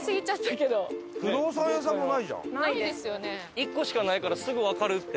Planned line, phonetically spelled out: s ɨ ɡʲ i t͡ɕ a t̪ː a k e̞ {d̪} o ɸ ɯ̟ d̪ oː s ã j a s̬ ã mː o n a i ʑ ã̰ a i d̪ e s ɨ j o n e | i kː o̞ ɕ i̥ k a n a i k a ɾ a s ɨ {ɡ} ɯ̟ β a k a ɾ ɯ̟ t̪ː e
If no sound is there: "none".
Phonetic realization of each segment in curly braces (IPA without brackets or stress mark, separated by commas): d̪, ɡ